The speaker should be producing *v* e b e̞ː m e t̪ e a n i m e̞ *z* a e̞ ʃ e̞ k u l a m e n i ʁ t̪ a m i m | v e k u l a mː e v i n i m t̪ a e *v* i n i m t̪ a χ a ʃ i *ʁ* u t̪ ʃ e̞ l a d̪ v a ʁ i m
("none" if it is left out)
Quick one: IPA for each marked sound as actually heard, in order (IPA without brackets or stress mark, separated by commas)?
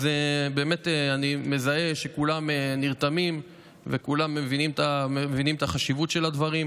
z, z, v, v